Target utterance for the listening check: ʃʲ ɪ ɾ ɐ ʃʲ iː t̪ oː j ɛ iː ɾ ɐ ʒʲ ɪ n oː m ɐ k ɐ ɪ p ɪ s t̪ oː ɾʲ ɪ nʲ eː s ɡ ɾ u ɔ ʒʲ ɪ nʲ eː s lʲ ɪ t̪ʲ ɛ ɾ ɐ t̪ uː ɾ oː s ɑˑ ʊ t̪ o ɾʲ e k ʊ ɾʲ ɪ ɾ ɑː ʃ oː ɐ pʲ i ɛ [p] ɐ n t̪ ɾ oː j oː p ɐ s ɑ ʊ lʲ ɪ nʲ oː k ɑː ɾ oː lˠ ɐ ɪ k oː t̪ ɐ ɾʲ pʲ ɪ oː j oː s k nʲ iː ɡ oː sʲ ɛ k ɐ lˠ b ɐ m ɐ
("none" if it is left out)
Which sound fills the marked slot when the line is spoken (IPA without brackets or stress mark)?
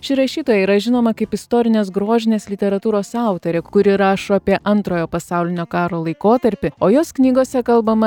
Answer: ʔ